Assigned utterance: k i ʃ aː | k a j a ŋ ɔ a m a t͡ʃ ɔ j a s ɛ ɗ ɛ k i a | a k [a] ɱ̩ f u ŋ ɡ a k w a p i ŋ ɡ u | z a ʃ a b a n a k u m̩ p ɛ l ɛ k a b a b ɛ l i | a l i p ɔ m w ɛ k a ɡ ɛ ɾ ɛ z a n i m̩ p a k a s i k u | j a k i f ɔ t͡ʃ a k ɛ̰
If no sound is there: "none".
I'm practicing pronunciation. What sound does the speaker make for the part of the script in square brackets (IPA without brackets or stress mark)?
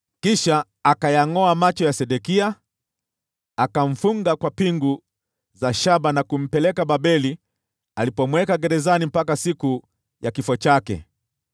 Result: a